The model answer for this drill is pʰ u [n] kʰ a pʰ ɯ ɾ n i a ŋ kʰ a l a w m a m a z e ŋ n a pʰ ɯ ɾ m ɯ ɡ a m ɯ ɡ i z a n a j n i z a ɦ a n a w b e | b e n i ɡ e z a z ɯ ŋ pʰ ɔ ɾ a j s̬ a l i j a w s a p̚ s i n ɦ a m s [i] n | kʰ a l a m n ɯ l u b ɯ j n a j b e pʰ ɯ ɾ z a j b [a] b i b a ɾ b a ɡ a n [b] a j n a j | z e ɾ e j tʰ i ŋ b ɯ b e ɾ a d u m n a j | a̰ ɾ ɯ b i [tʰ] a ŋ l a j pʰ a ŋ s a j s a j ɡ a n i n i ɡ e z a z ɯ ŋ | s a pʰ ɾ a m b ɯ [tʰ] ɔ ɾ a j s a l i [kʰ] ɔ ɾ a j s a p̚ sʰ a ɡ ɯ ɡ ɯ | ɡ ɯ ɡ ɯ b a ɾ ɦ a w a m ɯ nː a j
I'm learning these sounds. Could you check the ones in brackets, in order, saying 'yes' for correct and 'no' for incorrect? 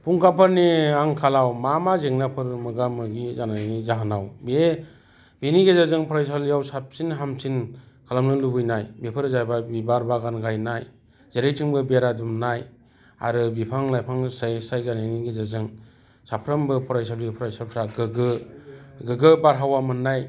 no, yes, yes, no, no, no, no

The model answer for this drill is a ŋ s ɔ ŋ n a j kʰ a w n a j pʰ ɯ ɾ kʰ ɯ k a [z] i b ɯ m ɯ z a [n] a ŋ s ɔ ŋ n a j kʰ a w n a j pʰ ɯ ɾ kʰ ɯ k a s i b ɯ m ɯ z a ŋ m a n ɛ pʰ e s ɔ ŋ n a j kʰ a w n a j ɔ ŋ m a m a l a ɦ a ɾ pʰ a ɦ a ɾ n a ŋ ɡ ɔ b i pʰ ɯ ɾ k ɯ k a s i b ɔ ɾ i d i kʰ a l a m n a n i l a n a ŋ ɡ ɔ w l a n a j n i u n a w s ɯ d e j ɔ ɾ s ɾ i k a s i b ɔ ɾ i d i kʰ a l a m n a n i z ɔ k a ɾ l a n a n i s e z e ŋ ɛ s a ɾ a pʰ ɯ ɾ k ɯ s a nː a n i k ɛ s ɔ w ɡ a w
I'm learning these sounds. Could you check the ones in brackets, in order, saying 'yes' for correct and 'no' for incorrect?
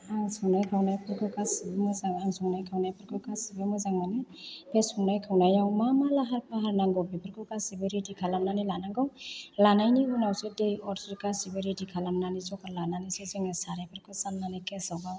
no, no

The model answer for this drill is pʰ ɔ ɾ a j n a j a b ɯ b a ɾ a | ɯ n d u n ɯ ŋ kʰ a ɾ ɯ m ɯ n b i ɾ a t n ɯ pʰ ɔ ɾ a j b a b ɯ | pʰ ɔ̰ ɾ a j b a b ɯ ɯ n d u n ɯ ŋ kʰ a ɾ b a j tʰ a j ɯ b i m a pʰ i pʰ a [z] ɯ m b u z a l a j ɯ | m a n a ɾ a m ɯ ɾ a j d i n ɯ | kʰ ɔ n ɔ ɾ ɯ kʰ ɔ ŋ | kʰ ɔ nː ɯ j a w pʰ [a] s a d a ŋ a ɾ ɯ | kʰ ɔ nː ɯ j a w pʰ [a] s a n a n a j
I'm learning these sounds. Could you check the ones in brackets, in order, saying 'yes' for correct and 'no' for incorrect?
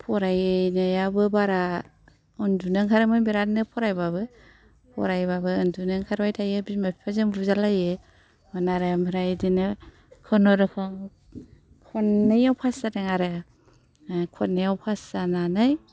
yes, yes, yes

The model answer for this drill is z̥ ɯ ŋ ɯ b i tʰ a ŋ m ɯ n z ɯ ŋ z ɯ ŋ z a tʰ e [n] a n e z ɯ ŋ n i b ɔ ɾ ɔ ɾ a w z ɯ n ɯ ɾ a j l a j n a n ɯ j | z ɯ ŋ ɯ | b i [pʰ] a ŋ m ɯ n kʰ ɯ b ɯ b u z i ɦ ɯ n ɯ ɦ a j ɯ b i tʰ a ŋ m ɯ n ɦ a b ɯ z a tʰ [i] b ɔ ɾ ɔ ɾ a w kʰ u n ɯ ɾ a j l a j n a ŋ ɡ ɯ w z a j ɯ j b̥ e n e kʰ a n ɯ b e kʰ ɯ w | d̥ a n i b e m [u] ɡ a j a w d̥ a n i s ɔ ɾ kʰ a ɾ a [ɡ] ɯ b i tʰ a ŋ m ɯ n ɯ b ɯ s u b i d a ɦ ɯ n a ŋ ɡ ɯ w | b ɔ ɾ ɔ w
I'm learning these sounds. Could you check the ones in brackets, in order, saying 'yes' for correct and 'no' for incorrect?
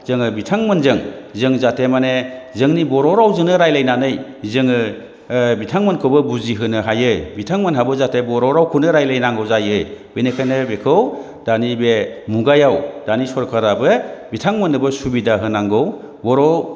no, no, no, yes, no

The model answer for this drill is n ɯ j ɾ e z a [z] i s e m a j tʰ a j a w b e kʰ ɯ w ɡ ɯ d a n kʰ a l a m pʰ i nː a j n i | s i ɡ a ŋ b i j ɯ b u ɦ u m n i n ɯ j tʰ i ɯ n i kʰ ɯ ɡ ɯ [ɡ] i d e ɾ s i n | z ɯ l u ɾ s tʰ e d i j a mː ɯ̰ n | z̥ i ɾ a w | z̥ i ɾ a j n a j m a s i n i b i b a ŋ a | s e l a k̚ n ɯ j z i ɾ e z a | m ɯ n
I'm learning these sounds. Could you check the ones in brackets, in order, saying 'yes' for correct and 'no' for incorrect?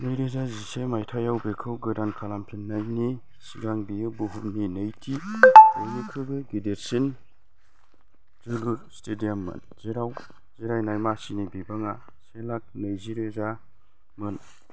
yes, yes

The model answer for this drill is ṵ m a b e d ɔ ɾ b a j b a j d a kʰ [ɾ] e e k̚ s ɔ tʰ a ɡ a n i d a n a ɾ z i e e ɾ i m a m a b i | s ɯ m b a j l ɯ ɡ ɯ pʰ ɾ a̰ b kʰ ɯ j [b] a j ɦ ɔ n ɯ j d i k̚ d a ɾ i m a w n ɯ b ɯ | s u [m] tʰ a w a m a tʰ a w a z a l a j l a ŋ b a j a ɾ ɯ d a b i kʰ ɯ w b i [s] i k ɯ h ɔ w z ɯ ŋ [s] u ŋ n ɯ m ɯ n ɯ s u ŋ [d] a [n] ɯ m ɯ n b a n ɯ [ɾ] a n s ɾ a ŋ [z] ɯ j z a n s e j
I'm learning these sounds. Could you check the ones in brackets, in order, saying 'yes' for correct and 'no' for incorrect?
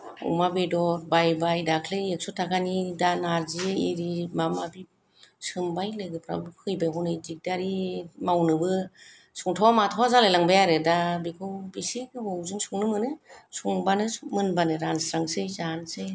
no, yes, no, yes, yes, no, yes, yes, no

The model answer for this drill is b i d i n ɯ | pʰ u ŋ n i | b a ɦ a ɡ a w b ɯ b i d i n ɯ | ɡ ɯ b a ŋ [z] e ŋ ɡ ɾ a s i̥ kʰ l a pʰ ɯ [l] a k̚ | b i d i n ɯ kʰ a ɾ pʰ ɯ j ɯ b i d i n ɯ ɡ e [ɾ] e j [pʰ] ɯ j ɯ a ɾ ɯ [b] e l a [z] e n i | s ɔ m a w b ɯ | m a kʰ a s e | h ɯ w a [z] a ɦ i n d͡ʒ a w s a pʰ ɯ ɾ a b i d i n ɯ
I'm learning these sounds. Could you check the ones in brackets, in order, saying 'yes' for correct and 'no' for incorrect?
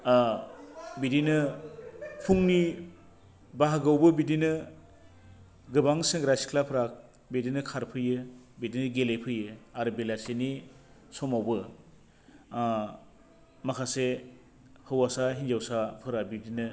no, no, no, yes, yes, no, no

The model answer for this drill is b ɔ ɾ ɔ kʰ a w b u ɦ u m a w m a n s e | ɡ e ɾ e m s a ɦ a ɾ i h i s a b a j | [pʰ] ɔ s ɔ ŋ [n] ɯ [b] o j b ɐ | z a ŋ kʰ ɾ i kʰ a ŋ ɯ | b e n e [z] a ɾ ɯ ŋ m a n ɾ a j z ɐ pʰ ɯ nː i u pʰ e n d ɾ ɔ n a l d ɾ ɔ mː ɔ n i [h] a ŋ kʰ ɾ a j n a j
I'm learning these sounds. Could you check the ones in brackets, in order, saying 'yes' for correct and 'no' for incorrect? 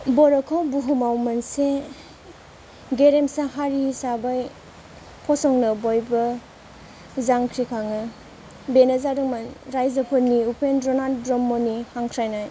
yes, yes, yes, yes, yes

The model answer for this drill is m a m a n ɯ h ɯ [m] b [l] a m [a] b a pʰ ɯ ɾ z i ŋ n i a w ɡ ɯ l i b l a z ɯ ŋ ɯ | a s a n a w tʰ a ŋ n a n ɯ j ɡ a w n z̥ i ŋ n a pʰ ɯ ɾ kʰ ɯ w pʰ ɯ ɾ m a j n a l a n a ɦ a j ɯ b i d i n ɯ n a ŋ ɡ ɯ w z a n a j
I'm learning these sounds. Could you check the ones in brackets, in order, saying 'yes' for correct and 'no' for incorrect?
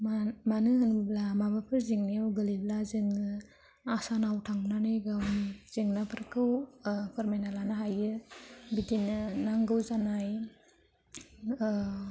no, yes, yes

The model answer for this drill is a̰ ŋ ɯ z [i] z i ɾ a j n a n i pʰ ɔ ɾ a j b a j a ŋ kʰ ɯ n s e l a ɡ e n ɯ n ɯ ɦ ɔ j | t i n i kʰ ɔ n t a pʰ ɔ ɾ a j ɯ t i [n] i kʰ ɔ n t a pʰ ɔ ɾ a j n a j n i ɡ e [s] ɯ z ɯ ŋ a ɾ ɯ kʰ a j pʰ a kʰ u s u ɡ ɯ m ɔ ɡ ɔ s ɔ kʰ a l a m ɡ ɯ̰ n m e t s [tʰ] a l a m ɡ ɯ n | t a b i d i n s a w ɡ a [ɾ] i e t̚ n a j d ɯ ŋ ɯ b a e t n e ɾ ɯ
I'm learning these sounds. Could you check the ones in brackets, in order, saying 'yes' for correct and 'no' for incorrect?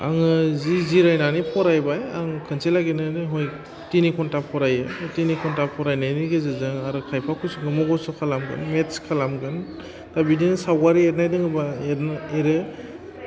yes, yes, no, no, yes

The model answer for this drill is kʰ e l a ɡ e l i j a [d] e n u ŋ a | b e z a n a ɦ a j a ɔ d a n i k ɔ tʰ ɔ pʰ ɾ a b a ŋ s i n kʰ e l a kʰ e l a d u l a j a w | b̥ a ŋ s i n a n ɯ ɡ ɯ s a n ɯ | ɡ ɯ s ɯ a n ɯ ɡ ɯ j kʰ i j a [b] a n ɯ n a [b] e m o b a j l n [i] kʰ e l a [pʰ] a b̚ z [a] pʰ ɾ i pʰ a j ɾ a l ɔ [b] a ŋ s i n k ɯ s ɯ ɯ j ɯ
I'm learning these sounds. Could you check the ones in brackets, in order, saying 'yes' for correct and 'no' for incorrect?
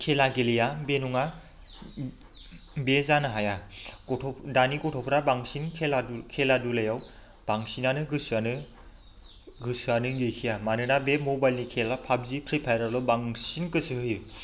no, no, yes, yes, yes, no, yes

